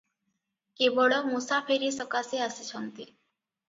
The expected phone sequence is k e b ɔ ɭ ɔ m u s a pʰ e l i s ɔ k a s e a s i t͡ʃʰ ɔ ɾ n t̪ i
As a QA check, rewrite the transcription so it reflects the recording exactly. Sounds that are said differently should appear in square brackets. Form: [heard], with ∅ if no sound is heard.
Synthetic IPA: k e b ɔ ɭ ɔ m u s a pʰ e [ɾ] i s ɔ k a s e a s i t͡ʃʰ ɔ [∅] n t̪ i